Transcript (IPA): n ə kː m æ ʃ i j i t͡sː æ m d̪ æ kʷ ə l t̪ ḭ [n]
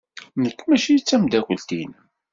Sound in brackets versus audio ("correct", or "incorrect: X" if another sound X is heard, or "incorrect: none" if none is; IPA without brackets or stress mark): correct